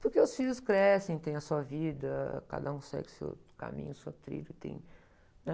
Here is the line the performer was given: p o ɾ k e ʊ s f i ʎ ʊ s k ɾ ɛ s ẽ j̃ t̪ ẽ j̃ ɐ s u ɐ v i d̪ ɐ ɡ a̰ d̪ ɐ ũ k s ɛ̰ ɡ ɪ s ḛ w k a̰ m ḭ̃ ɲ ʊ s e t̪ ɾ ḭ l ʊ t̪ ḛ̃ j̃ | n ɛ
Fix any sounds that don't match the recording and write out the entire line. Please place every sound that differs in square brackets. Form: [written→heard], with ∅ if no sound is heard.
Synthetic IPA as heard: p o ɾ k e ʊ s f i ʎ ʊ s k ɾ ɛ s ẽ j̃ t̪ ẽ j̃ ɐ s u ɐ v i d̪ ɐ [ɡ→k] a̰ d̪ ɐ ũ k s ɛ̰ ɡ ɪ s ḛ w k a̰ m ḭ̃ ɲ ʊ s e t̪ ɾ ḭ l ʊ t̪ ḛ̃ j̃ | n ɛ